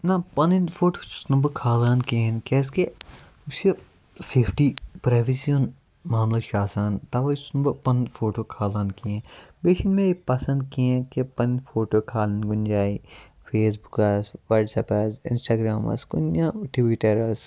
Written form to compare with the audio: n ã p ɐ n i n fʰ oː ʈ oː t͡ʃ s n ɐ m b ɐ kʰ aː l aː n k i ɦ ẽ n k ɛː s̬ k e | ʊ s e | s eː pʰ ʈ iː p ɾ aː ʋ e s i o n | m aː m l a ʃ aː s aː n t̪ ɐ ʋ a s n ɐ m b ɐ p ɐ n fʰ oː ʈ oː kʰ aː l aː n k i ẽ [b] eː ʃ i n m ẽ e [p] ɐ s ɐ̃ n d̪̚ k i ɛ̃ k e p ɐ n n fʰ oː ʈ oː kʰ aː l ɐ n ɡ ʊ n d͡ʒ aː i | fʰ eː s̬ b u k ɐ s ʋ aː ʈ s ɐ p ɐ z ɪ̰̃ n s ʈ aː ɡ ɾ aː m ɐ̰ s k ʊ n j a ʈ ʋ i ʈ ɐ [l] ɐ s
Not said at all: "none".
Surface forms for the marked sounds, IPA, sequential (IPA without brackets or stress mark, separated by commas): b, p, ɾ